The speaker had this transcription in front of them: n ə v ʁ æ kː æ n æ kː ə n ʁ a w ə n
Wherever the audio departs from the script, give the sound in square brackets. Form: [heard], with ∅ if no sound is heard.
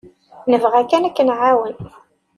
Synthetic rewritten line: n ə v ʁ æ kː æ n æ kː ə n [ʕ] a w ə n